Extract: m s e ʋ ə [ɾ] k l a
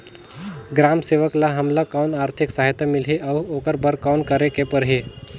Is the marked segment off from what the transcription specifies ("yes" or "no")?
yes